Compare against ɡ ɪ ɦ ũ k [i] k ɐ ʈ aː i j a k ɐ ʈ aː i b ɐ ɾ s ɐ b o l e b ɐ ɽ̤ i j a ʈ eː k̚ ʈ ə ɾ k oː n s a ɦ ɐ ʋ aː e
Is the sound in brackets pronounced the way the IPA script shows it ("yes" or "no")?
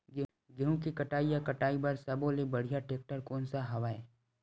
yes